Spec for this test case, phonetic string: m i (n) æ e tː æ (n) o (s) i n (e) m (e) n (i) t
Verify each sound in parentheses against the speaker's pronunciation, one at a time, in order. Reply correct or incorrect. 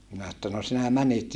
correct, correct, correct, incorrect: æ, incorrect: æ, correct

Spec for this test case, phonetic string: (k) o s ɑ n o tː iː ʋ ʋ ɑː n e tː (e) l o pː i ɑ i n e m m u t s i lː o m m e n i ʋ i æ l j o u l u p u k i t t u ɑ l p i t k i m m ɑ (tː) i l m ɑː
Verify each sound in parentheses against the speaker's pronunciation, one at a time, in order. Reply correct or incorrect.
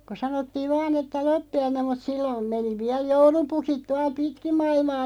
correct, incorrect: æ, incorrect: none

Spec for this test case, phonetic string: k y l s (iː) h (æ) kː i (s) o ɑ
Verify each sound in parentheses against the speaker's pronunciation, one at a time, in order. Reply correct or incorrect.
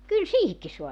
correct, incorrect: i, correct

